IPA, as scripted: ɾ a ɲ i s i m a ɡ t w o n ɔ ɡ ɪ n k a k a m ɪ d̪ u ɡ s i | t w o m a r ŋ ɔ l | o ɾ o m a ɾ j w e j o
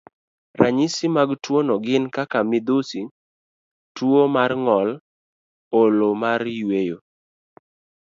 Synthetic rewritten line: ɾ a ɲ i s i m a ɡ t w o n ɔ ɡ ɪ n k a k a m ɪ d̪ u s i | t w o m a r ŋ ɔ l | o l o m a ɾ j w e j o